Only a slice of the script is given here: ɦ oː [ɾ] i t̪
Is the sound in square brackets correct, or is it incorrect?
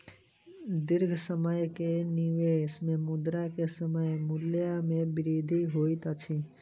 incorrect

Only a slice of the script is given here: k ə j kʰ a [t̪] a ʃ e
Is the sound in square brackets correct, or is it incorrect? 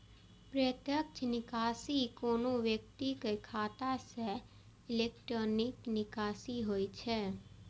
correct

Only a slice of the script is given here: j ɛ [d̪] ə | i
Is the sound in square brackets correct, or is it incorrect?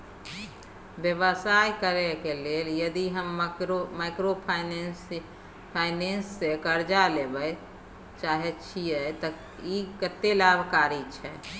incorrect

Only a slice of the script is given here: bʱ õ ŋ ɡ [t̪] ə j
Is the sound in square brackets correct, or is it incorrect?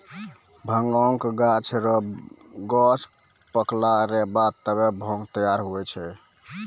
correct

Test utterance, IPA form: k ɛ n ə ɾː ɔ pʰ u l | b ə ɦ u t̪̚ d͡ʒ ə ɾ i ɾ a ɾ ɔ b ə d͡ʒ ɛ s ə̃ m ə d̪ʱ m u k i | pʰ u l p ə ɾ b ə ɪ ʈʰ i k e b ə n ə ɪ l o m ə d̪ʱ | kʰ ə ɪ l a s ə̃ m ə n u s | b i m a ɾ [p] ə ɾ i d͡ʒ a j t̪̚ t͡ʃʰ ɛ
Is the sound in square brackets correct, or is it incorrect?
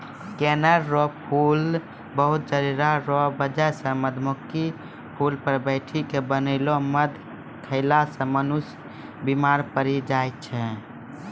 correct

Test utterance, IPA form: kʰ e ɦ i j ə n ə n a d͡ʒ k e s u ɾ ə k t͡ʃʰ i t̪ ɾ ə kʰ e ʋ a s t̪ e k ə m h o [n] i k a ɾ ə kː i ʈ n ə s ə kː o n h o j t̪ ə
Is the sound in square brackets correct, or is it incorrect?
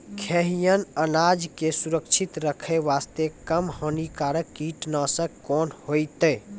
correct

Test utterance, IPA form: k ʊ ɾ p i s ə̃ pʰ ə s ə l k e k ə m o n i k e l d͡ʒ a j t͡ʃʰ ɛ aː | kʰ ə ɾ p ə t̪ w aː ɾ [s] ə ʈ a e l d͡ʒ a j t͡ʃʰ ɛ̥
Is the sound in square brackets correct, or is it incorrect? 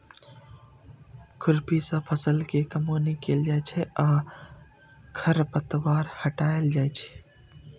incorrect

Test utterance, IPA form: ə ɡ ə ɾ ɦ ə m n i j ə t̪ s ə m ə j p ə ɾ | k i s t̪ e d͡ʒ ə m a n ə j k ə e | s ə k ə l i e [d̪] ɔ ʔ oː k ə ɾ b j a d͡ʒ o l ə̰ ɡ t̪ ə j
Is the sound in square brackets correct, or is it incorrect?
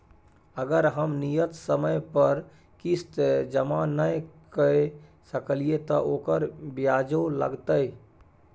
incorrect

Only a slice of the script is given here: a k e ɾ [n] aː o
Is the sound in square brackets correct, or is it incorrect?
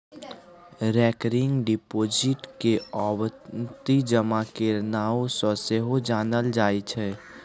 correct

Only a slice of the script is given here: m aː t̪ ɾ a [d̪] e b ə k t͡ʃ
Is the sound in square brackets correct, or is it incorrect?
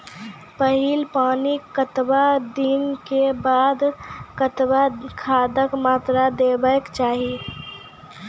correct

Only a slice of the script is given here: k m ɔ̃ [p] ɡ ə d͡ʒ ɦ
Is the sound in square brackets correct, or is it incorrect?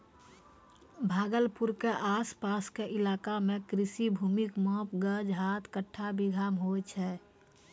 correct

